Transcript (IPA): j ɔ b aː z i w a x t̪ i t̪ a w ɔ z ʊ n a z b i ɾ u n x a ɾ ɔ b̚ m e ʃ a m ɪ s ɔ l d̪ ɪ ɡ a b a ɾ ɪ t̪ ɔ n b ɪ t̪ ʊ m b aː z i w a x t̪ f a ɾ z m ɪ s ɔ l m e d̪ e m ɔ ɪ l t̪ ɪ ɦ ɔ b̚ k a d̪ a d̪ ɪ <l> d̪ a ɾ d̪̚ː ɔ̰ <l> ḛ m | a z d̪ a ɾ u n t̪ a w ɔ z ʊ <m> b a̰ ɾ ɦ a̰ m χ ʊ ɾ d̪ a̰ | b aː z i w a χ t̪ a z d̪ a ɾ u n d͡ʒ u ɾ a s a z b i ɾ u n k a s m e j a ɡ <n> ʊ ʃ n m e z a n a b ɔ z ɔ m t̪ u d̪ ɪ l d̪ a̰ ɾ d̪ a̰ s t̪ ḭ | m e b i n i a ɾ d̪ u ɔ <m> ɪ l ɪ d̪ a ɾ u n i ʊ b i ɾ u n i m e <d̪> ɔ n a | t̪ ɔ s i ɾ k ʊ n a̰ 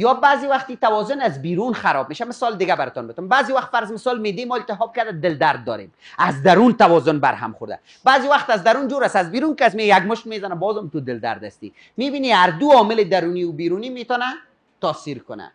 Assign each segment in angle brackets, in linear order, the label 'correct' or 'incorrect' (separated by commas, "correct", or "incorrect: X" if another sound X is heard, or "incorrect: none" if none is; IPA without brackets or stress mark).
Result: correct, incorrect: ɾ, incorrect: n, incorrect: m, correct, incorrect: t̪